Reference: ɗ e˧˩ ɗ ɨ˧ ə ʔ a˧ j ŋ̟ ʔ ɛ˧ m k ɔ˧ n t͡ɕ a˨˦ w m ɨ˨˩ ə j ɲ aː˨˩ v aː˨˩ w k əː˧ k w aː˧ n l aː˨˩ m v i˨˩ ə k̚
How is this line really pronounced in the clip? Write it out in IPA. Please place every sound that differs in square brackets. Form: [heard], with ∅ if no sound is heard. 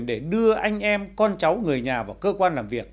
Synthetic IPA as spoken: ɗ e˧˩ ɗ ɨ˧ ə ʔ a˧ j ŋ̟ ʔ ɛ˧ m k ɔ˧ n t͡ɕ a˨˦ w [ŋ] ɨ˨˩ ə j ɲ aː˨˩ v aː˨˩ w k əː˧ k w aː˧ n l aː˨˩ m v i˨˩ ə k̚